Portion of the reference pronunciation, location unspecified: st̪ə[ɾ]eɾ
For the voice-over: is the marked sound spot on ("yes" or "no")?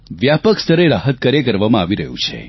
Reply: yes